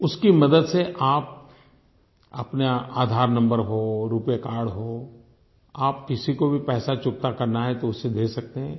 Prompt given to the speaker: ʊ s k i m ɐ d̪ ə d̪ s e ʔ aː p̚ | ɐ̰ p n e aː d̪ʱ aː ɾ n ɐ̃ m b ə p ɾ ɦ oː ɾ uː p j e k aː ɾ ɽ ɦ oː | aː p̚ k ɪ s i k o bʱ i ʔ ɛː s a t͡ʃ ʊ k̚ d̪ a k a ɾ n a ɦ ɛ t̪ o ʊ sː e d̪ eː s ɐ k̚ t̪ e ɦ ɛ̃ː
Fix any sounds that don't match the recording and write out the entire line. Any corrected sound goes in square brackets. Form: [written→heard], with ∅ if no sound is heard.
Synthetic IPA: ʊ s k i m ɐ d̪ ə d̪ s e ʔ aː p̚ | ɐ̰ p n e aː d̪ʱ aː ɾ n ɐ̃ m b ə [p→∅] ɾ ɦ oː ɾ uː p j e k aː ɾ ɽ ɦ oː | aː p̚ k ɪ s i k o bʱ i [ʔ→p] ɛː s a t͡ʃ ʊ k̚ [d̪→t̪] a k [a→ɐ] ɾ n a ɦ ɛ t̪ o ʊ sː e d̪ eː s ɐ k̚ t̪ e ɦ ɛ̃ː